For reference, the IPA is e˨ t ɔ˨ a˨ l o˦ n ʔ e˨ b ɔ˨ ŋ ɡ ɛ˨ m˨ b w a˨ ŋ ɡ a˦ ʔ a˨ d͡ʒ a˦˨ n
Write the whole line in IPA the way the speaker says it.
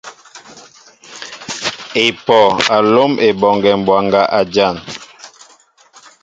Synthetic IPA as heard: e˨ p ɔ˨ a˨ l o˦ m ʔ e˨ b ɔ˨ ŋ ɡ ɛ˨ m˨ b w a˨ ŋ ɡ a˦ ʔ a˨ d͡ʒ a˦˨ n